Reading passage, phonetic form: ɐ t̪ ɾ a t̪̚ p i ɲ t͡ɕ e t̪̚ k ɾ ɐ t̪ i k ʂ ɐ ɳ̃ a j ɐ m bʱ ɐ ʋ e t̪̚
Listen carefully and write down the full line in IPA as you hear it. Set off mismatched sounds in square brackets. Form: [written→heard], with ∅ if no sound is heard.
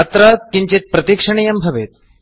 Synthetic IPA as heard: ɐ t̪ ɾ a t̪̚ [p→k] i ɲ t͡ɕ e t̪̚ [k→p] ɾ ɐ t̪ i k ʂ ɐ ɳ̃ [a→i] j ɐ m bʱ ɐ ʋ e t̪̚